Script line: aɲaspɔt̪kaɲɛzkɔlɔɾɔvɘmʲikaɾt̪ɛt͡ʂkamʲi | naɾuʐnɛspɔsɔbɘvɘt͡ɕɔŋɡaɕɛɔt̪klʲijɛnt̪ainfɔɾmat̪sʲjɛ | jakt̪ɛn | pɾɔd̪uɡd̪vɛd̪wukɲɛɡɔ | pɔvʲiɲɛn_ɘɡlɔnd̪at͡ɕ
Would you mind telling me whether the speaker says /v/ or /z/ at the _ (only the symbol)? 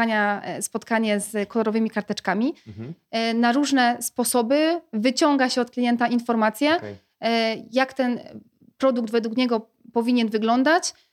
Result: v